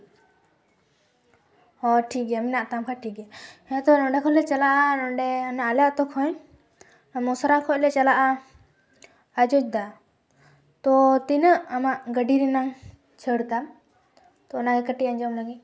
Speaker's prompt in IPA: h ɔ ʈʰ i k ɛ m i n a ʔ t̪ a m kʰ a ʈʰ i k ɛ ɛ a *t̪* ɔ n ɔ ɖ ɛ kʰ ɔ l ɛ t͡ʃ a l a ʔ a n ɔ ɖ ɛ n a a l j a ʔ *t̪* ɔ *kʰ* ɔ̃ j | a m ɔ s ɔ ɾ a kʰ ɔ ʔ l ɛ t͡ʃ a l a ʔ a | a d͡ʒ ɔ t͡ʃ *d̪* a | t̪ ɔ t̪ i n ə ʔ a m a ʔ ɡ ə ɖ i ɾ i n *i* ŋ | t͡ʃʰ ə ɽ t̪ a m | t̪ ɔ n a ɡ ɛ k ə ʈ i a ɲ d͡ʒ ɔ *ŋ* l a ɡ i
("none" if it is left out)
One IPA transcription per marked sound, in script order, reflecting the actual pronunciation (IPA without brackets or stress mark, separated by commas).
t̪, t̪, kʰ, d̪, a, m